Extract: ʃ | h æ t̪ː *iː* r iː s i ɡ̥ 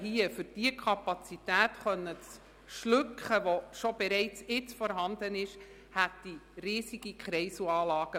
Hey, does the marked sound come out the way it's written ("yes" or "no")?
no